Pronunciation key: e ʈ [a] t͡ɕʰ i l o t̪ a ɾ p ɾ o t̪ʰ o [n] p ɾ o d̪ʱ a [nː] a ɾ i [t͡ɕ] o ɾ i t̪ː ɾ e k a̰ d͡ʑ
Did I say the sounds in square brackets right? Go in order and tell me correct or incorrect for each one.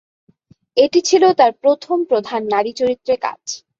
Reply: incorrect, incorrect, correct, correct

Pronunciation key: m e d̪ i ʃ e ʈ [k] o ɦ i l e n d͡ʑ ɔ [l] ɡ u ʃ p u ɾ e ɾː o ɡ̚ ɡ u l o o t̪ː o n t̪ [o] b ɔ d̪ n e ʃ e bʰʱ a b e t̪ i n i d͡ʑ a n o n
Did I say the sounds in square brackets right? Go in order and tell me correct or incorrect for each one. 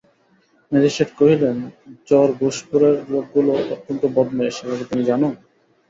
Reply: correct, incorrect, correct

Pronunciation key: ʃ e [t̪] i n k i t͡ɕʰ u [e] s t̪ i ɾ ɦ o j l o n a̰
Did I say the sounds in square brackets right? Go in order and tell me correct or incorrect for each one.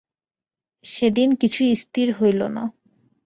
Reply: incorrect, incorrect

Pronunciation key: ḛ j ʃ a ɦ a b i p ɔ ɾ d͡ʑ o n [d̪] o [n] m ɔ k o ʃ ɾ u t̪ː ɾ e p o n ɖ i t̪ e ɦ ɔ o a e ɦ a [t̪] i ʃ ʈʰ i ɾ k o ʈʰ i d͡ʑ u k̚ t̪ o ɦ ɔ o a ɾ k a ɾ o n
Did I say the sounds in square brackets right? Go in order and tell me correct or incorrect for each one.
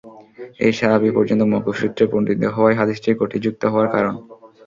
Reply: incorrect, incorrect, incorrect

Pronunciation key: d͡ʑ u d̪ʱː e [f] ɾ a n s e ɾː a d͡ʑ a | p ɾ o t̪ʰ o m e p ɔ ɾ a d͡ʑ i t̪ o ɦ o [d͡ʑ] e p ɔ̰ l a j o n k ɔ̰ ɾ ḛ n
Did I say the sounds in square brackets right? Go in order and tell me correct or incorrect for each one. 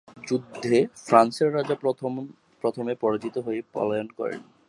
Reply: correct, incorrect

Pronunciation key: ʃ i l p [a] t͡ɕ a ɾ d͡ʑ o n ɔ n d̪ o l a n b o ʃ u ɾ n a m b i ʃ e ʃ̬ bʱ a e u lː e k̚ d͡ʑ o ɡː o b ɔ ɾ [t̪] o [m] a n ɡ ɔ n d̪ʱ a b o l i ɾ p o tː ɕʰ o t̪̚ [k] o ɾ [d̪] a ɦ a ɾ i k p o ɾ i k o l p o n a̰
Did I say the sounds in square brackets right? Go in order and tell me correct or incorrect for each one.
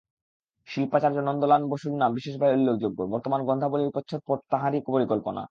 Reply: correct, correct, correct, incorrect, incorrect

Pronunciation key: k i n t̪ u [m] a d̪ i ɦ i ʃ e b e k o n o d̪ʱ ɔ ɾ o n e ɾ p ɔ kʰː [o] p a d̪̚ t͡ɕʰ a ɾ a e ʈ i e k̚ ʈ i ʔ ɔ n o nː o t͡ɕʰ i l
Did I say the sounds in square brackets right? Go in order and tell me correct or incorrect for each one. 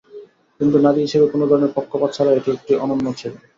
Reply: incorrect, correct

